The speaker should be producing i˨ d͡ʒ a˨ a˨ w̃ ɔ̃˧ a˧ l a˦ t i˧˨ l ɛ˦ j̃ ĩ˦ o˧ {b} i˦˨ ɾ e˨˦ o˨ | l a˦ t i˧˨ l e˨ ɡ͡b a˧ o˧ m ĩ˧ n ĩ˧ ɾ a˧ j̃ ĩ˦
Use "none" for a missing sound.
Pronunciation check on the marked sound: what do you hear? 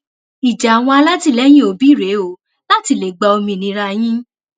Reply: b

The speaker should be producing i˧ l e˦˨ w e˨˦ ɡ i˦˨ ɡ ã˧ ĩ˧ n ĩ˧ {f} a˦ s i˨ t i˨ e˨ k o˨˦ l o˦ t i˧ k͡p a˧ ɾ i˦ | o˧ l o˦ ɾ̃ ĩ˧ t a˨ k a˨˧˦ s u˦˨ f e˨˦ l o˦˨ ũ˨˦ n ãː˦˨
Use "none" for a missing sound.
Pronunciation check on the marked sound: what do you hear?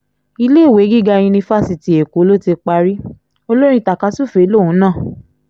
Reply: f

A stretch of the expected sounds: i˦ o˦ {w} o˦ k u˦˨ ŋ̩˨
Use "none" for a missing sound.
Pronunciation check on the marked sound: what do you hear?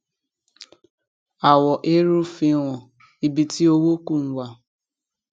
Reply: w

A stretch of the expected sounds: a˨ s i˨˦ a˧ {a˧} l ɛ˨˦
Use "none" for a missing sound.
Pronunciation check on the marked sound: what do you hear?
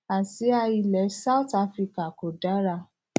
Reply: i˧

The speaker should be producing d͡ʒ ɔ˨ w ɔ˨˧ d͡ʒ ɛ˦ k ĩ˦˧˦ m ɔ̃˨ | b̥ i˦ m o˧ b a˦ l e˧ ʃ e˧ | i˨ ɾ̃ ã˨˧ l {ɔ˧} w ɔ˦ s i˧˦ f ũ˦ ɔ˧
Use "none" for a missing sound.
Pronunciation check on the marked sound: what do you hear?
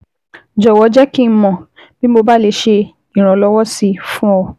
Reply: ɔ˧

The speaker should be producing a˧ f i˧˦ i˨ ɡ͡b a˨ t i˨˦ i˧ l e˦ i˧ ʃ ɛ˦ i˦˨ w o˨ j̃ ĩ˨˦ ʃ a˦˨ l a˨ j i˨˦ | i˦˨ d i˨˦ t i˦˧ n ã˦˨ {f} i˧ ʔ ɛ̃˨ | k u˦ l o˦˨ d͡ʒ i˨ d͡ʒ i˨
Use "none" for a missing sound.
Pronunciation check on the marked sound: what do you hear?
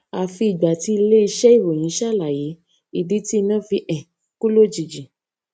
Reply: f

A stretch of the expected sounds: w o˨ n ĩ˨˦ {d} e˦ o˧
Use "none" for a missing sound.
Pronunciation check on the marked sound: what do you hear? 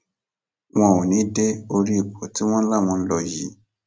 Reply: d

